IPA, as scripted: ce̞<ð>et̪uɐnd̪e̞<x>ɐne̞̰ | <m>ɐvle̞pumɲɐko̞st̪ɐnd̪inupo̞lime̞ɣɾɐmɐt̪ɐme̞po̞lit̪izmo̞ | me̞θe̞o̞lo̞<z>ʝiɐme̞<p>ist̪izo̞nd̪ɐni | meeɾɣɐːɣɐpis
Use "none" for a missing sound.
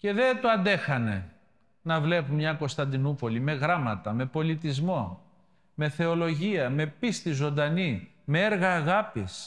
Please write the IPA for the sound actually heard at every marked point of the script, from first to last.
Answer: ð, x, n, none, p

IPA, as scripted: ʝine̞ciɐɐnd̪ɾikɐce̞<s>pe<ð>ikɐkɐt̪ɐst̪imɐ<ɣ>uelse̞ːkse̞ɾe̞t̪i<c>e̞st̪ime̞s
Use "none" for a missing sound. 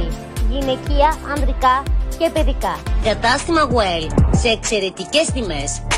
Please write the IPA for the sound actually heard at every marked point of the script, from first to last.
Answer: none, ð, ɣ, c

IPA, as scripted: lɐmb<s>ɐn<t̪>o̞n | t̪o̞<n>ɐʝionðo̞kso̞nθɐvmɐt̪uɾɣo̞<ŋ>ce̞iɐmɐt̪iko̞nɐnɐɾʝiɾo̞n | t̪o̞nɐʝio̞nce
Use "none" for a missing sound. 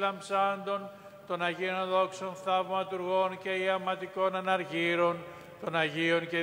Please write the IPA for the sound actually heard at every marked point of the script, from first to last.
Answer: s, d̪, n, n

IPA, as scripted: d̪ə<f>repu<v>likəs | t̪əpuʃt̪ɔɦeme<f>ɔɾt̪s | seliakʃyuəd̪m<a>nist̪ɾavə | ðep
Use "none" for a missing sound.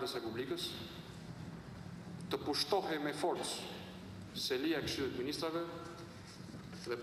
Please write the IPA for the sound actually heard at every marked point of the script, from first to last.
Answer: s, b, f, i

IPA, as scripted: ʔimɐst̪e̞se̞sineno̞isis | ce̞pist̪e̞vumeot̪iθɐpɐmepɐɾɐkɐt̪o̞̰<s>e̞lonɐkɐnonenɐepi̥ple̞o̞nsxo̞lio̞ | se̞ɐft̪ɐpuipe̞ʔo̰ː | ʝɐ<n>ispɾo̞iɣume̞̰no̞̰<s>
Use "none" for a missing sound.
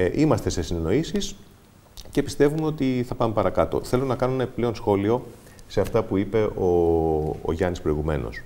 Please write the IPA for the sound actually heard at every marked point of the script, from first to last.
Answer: θ, n, s

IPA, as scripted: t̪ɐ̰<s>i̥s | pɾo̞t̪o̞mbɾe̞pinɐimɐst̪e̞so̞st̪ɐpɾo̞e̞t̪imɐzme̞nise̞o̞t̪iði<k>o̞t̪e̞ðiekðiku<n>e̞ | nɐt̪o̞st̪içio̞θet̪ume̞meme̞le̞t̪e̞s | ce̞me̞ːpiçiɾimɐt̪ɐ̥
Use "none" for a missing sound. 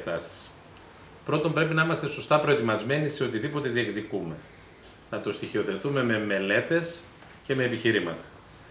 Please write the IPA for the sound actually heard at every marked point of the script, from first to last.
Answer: s, p, m

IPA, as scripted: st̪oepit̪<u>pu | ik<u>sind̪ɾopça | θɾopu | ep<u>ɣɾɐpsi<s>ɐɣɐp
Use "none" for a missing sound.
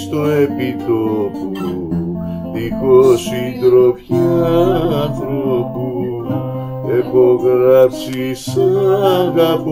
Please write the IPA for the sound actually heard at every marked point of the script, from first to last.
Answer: o, o, o, s

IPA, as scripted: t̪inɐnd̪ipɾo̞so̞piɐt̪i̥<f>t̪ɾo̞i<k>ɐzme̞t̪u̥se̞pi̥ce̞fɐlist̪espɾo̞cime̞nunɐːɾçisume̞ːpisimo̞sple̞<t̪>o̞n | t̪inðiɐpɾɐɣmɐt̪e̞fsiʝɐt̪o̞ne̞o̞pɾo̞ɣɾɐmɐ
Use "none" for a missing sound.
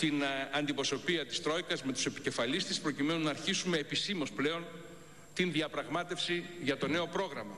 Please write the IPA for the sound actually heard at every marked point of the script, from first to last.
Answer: s, k, none

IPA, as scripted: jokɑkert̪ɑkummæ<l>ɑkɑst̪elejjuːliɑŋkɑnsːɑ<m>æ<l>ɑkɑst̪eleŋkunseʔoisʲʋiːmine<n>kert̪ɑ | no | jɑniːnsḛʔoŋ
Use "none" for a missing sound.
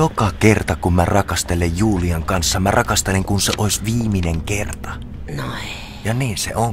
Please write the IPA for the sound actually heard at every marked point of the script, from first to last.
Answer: r, m, r, ŋ

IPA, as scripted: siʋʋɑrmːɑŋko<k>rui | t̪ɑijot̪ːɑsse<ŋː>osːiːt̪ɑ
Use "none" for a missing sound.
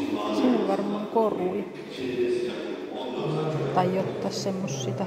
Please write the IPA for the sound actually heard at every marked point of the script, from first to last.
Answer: none, mː

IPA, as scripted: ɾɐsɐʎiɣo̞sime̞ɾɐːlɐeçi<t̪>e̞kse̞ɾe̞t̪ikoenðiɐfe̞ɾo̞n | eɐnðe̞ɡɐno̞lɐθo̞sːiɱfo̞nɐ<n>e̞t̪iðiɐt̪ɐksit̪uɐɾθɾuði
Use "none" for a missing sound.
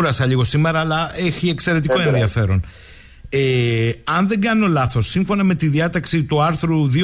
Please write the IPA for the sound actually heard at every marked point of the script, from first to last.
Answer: none, m

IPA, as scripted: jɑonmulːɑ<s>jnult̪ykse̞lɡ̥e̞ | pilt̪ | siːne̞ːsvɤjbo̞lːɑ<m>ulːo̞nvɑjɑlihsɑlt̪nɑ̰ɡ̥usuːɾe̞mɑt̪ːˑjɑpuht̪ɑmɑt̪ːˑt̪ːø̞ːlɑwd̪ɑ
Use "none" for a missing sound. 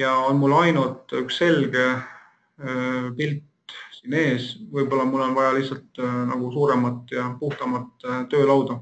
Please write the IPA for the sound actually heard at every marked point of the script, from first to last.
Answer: none, m

